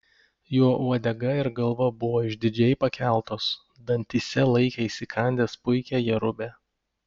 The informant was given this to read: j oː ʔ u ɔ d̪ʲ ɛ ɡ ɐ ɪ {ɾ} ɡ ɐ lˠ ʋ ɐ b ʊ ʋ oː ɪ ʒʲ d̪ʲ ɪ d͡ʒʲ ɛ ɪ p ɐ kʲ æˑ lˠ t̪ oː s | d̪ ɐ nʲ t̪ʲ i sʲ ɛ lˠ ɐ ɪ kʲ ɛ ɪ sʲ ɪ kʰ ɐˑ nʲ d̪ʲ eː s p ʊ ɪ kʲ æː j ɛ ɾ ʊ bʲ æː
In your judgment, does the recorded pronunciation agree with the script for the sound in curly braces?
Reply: yes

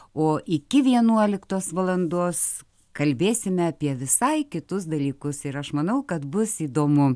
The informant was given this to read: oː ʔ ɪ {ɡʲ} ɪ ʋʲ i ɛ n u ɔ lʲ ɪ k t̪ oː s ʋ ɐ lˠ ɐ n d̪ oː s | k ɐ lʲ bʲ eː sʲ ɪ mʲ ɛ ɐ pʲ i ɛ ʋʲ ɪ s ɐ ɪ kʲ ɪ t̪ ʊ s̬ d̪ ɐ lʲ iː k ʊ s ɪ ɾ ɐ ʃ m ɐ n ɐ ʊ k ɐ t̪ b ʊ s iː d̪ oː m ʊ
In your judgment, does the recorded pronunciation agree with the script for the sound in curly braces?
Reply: no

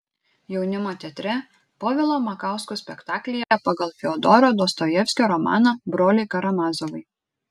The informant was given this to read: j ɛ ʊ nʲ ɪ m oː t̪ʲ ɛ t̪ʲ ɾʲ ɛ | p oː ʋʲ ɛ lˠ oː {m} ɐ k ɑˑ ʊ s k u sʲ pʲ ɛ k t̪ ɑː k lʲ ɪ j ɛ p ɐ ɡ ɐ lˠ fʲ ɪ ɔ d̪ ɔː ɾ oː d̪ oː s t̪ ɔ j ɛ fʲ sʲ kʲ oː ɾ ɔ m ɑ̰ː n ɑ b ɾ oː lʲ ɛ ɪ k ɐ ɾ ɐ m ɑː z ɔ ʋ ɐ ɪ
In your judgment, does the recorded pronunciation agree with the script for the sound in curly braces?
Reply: yes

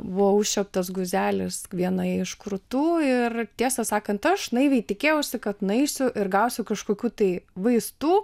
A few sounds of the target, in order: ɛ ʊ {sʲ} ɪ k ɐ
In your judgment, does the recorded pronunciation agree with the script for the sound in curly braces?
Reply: yes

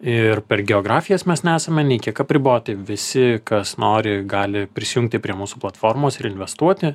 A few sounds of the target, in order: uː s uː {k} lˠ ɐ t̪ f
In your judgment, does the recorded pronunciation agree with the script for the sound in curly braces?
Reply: no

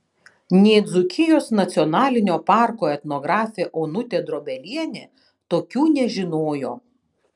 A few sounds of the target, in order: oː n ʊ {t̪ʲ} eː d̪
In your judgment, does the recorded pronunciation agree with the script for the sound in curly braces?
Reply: yes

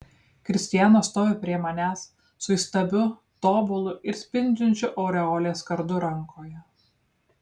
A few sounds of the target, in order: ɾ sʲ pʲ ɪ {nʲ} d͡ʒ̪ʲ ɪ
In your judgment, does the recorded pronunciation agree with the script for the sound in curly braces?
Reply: yes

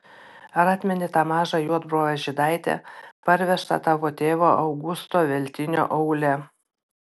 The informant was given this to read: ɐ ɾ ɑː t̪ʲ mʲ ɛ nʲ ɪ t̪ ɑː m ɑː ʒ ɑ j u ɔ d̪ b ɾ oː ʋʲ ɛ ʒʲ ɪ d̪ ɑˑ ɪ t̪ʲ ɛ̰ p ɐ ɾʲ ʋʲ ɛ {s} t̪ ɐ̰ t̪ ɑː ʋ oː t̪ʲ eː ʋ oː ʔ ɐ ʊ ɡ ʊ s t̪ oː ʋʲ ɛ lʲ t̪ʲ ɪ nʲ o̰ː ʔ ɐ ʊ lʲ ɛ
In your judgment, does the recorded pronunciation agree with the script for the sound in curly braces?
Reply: no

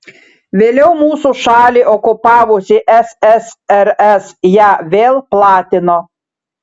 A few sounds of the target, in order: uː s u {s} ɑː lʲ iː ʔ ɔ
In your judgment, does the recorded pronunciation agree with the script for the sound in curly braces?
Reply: no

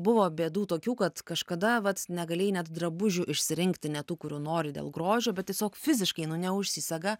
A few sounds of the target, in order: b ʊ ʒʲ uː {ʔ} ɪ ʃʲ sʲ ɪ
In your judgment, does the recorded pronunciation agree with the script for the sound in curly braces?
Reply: yes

